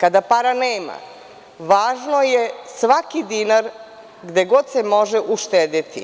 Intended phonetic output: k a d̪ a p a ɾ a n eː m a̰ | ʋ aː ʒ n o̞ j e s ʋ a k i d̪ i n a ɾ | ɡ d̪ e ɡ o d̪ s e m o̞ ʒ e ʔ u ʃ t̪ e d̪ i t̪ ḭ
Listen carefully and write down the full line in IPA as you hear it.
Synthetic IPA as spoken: k a d̪ a p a ɾ a n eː m a̰ | ʋ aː ʒ n o̞ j e s ʋ a k i d̪ i n a ɾ | ɡ d̪ e ɡ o d̪ s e m o̞ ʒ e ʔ u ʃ t̪ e d̪ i t̪ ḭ